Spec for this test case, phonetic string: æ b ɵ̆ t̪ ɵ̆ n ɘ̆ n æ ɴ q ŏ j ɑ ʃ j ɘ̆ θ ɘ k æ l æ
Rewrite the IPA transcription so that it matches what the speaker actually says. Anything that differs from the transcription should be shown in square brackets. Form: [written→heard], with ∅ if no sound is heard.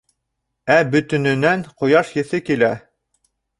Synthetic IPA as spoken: æ b ɵ̆ t̪ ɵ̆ n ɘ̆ n æ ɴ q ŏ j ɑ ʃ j ɘ̆ θ ɘ k [æ→i] l æ